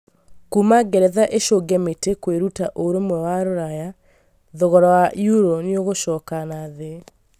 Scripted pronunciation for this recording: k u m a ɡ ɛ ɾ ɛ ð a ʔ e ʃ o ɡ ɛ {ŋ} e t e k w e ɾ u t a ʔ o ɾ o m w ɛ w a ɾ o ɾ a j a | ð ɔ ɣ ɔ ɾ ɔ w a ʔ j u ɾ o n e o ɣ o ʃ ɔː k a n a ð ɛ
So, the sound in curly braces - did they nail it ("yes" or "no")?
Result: no